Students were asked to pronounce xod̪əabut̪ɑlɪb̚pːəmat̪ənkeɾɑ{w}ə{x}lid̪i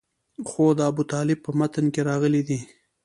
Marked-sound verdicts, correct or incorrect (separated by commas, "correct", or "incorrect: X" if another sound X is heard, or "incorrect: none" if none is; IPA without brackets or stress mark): incorrect: ɣ, incorrect: none